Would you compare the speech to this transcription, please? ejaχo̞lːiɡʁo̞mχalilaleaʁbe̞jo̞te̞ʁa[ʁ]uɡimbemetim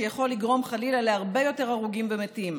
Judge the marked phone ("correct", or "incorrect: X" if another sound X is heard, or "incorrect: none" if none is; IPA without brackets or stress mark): correct